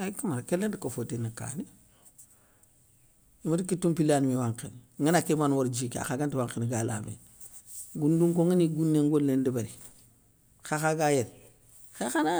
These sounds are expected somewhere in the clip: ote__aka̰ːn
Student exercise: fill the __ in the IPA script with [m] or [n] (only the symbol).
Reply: n